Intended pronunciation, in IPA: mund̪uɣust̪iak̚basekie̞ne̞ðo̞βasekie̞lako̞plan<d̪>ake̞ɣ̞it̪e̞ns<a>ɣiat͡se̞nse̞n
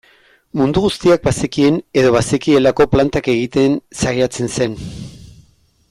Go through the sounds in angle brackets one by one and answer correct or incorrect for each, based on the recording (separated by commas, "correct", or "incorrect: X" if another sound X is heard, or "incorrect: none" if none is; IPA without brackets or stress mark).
incorrect: t̪, correct